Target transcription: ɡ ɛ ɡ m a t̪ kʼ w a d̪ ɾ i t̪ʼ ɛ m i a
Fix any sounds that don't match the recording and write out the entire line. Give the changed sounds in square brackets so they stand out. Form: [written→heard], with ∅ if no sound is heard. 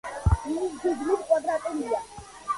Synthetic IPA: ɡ [ɛ→i] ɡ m [a→i] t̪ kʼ w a d̪ ɾ [i→a] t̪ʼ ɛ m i a